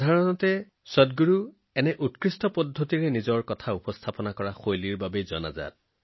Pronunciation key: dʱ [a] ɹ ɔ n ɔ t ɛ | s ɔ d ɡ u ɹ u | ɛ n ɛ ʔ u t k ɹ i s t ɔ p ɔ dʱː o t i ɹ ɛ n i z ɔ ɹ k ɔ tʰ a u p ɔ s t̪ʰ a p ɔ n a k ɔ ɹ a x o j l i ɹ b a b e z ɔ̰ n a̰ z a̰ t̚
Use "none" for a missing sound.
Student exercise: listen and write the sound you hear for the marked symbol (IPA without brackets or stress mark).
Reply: a